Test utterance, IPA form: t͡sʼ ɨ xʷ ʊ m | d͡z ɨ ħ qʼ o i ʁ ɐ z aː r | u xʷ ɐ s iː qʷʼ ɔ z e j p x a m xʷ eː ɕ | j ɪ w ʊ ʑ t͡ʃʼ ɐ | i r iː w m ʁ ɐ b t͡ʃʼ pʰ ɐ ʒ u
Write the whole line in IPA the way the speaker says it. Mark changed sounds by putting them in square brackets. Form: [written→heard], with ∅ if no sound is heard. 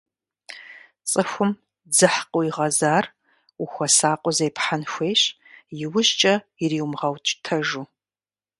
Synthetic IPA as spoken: t͡sʼ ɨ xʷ ʊ m | d͡z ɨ ħ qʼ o i ʁ ɐ z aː r | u xʷ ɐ s [iː→aː] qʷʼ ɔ z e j p [x→ħ] a [m→n] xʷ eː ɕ | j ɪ w ʊ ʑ t͡ʃʼ ɐ | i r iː w m ʁ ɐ [b→w] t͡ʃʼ [pʰ→tʰ] ɐ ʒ u